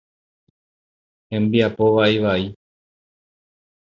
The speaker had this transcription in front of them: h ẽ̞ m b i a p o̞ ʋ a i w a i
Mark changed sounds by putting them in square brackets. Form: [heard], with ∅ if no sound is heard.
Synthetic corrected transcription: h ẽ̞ m b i a p o̞ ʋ a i [ʋ] a i

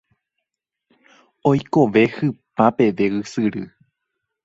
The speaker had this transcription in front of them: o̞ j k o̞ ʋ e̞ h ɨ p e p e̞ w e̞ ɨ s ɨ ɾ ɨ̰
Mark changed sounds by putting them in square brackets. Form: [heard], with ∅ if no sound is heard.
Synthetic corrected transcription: o̞ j k o̞ ʋ e̞ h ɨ p [a] p e̞ [ʋ] e̞ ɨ s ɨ ɾ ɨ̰

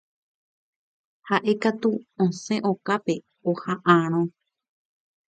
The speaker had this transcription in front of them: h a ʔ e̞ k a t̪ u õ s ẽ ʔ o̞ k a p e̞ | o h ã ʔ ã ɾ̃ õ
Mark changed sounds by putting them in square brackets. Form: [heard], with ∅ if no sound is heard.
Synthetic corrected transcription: h a ʔ e̞ k a t̪ u õ s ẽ ʔ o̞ k a p e̞ | o h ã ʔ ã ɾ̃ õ

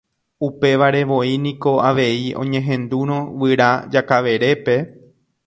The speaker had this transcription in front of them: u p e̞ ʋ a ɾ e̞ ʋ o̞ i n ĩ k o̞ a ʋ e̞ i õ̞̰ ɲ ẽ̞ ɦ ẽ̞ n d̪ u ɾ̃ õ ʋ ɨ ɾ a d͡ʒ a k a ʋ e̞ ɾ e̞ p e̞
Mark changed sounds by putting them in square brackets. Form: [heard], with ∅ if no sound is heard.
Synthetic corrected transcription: u p e̞ ʋ a ɾ e̞ ʋ o̞ i n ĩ k o̞ a ʋ e̞ i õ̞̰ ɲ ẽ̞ ɦ ẽ̞ n d̪ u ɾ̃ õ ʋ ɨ ɾ a d͡ʒ a k a ʋ e̞ ɾ e̞ p e̞

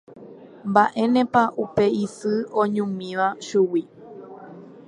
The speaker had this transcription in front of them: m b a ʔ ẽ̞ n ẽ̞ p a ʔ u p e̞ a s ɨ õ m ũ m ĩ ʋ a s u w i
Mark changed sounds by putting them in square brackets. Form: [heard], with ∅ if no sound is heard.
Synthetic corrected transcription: m b a ʔ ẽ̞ n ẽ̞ p a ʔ u p e̞ [i] s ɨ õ [ɲ] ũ m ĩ ʋ a [ʃ] u w i

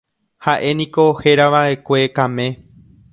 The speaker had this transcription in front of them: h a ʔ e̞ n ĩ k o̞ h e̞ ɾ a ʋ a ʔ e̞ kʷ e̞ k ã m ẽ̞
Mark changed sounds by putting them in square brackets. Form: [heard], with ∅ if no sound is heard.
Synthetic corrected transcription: h a ʔ e̞ n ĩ k o̞ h e̞ ɾ a ʋ a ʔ e̞ kʷ e̞ k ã m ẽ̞

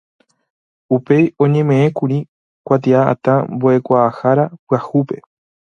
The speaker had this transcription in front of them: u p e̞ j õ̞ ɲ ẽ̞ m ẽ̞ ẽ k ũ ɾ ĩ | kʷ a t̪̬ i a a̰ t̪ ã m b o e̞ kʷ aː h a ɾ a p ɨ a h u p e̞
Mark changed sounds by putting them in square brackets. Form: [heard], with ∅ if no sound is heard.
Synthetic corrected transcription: u p e̞ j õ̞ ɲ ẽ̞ m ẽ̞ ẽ k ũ ɾ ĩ | kʷ a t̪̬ i a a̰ t̪ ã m b o e̞ kʷ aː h a ɾ a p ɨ a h u p e̞

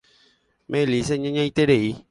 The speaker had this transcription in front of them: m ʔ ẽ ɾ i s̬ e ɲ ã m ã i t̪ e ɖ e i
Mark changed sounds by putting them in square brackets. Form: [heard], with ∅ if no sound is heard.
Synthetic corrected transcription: m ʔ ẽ [l] i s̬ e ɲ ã [ɲ] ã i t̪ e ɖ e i

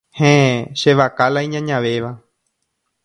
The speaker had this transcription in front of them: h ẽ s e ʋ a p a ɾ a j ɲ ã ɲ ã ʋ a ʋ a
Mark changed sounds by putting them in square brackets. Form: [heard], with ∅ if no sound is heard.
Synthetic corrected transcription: h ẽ [ʃ] e ʋ a [k] a [l] a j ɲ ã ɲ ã ʋ [e] ʋ a

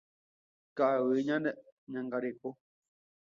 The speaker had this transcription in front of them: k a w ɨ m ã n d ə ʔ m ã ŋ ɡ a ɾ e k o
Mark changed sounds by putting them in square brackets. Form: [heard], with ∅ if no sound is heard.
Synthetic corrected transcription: k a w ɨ [ɲ] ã n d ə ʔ [ɲ] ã ŋ ɡ a ɾ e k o

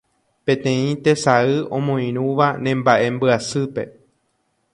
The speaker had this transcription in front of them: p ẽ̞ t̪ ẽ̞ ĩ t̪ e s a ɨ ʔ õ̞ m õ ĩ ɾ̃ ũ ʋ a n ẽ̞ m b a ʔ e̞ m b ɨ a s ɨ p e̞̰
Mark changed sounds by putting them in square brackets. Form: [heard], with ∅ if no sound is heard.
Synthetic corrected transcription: p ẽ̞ t̪ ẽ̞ ĩ t̪ e s a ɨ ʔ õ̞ m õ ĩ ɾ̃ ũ ʋ a n ẽ̞ m b a ʔ e̞ m b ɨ a s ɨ p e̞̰

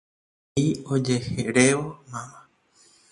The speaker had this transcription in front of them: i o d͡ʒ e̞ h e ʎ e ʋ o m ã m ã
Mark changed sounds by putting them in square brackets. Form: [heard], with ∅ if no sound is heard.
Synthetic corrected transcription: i o d͡ʒ e̞ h e [ɾ] e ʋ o m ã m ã

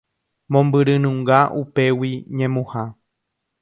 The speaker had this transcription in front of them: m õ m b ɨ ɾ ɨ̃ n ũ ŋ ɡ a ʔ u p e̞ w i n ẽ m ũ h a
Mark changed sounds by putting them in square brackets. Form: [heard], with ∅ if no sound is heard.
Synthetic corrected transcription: m õ m b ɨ ɾ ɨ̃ n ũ ŋ ɡ a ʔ u p e̞ w i [ɲ] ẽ m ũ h a

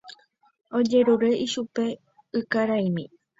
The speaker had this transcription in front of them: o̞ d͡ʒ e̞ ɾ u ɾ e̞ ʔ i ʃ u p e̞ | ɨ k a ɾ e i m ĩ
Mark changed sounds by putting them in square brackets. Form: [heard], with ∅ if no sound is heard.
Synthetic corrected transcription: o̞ d͡ʒ e̞ ɾ u ɾ e̞ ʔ i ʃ u p e̞ | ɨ k a ɾ [a] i m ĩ

